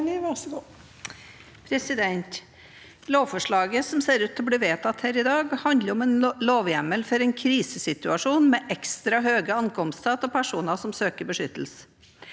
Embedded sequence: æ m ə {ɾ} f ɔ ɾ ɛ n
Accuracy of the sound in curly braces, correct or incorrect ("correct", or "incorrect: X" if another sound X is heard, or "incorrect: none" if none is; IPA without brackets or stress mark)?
incorrect: l